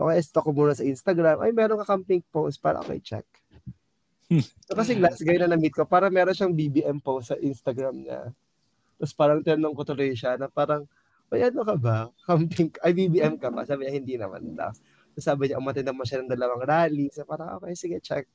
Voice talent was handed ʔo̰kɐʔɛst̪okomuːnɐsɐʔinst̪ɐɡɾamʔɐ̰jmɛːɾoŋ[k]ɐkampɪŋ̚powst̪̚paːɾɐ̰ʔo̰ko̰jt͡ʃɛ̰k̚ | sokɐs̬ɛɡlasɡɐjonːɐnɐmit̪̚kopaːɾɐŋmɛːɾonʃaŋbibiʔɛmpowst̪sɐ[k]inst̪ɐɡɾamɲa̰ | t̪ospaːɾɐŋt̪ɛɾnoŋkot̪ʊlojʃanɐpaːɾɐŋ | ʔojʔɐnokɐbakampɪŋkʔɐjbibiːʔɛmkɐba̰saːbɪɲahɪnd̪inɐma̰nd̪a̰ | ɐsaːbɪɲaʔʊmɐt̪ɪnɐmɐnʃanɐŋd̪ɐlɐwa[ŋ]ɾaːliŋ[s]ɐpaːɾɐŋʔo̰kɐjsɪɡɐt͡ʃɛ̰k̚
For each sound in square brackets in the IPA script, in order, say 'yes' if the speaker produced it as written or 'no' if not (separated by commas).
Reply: yes, no, yes, yes